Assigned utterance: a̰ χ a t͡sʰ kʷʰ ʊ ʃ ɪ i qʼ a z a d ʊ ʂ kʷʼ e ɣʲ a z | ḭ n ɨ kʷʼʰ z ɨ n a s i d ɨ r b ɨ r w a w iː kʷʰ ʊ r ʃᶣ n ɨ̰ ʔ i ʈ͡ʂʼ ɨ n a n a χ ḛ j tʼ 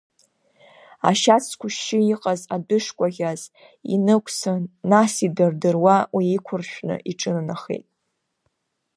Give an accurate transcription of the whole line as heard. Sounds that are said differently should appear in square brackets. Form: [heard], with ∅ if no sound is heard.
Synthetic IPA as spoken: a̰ [ʃ] a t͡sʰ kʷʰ ʊ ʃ ɪ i qʼ a z a d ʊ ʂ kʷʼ [a] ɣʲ a z | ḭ n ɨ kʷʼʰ [s] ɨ n a s i d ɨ r [d] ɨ r w a w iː kʷʰ ʊ r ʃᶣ n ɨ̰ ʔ i ʈ͡ʂʼ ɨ n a n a χ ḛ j tʼ